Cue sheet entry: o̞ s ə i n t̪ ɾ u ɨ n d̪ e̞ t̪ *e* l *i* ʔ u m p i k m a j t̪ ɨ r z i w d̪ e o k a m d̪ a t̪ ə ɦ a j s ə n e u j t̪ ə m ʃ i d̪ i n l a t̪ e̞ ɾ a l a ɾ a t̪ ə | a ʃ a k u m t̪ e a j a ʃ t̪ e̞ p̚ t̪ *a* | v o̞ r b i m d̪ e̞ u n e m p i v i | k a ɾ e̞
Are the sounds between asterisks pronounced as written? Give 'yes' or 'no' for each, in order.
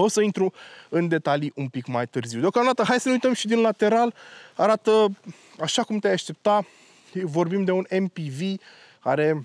no, yes, yes

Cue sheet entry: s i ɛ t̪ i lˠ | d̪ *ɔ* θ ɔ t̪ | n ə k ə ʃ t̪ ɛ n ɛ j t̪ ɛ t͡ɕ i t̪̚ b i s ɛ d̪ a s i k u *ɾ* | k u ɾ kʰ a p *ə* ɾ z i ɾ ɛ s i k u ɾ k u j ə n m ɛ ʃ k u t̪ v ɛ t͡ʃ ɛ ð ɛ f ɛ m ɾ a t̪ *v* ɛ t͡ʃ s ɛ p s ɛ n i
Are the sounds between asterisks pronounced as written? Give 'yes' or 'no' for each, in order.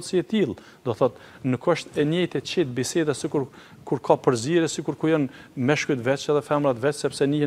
yes, yes, yes, yes

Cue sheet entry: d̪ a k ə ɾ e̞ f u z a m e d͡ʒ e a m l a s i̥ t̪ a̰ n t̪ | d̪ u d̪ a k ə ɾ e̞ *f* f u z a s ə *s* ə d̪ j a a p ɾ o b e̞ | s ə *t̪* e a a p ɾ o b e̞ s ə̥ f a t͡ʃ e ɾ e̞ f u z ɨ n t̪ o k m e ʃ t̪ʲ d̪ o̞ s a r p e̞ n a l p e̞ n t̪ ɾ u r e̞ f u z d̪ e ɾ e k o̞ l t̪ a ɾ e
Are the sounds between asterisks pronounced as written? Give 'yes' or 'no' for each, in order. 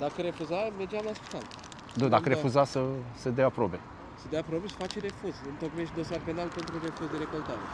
yes, yes, no

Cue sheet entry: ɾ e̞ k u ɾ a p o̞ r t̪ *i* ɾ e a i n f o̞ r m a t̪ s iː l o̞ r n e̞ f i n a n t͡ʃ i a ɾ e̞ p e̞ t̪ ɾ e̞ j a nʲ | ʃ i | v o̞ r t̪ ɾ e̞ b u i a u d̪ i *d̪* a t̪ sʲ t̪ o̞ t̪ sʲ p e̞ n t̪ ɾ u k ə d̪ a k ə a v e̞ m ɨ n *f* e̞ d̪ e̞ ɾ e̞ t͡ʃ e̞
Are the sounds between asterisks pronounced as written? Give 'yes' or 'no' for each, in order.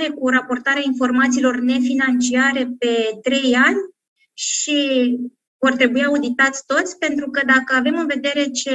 no, no, no

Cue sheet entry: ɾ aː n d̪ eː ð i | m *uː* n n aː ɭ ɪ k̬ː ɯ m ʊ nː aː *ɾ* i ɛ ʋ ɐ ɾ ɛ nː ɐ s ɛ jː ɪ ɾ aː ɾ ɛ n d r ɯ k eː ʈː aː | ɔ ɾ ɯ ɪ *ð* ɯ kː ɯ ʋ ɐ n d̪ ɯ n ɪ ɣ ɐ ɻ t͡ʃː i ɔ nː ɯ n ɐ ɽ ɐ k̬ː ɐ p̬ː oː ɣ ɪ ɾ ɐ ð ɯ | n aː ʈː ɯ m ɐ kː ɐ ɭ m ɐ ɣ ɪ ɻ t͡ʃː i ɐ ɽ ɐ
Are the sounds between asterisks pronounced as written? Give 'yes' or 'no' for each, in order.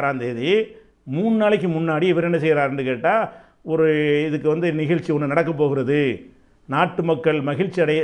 yes, no, yes

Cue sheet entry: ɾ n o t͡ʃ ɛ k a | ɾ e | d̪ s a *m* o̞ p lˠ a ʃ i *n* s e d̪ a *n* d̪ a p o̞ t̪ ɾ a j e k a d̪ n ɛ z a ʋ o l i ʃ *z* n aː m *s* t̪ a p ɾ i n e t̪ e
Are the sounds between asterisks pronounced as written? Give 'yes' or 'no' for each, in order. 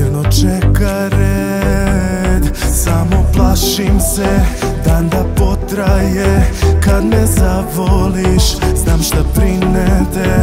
yes, no, yes, yes, no

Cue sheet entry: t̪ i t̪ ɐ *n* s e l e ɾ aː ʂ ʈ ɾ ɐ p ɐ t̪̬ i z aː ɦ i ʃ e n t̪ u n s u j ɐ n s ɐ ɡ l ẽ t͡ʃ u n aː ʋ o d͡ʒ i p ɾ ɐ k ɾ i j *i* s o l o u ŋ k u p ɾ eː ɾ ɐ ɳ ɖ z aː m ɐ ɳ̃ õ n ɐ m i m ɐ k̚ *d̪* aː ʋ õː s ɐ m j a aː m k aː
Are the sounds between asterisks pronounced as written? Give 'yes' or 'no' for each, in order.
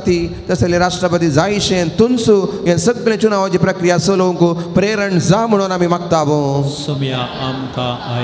no, no, no

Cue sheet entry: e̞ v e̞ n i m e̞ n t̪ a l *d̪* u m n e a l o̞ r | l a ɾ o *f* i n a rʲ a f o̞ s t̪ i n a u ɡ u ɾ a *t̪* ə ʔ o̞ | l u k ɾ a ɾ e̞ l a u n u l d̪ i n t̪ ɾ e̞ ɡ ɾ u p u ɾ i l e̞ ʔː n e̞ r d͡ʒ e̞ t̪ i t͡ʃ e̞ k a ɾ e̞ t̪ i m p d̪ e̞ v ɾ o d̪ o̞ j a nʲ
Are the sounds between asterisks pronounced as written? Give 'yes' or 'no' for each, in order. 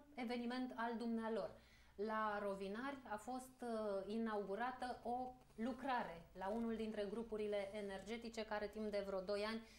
yes, no, yes

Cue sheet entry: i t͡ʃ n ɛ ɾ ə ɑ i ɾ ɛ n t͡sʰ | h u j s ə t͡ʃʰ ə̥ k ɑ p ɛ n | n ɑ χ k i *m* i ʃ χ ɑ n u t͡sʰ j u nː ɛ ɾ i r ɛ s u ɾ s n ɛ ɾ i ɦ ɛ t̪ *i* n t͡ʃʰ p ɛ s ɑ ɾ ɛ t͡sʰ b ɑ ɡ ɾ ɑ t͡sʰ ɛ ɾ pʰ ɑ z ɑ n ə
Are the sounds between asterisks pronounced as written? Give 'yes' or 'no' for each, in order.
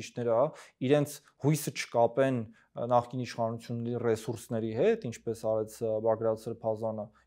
no, yes

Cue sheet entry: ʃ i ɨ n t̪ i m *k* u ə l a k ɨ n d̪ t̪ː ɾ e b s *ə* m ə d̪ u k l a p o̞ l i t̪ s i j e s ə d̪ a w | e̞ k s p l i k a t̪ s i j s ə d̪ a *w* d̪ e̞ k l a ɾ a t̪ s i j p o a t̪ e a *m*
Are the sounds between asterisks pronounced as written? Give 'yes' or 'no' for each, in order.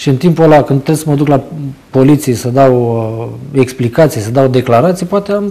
no, yes, yes, yes

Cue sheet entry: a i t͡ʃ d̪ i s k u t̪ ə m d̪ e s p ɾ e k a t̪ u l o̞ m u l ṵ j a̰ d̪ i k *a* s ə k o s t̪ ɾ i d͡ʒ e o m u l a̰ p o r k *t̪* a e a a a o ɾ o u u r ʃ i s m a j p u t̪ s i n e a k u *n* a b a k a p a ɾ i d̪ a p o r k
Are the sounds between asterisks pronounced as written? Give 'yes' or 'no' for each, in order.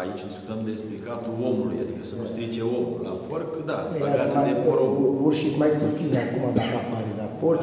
no, no, no

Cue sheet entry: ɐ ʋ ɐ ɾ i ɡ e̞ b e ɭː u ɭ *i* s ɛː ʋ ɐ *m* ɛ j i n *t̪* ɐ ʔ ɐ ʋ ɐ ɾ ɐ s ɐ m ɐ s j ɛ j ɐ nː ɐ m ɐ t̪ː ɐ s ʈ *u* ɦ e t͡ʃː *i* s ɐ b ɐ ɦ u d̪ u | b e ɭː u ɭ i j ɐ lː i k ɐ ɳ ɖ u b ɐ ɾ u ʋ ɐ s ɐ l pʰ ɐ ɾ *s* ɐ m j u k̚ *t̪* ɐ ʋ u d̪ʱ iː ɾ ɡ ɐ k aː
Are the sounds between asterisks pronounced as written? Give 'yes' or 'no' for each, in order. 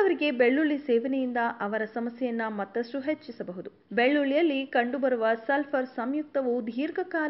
yes, no, no, yes, yes, yes, yes

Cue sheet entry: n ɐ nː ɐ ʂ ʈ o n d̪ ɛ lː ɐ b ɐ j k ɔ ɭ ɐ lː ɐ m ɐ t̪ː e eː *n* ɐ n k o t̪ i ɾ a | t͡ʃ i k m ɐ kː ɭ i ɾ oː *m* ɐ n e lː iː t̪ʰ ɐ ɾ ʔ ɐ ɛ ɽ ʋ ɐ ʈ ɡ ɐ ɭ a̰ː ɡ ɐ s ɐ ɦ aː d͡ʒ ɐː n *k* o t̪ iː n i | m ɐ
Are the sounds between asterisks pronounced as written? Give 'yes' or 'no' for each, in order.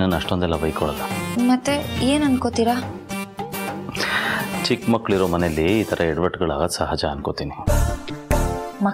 yes, yes, yes

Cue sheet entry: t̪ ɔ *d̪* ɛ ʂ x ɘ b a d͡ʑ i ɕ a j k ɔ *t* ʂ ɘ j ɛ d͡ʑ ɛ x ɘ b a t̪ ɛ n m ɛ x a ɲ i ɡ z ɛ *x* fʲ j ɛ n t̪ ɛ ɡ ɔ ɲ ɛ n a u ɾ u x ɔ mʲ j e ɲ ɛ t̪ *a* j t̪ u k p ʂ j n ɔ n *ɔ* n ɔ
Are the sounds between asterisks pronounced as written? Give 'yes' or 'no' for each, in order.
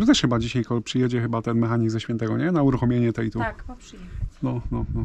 no, no, no, no, yes

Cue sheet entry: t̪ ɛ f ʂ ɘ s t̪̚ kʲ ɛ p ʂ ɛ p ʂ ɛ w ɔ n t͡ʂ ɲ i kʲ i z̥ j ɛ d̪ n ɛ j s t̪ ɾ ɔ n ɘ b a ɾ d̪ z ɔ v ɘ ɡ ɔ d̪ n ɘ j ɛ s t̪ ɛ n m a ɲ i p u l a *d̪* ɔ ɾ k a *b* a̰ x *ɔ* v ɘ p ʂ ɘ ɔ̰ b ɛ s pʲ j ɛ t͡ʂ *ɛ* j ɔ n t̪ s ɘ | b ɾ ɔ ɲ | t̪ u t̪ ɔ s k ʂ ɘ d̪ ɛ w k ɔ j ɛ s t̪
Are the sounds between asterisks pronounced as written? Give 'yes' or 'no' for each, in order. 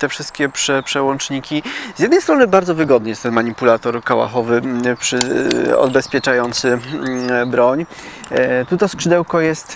no, no, yes, no

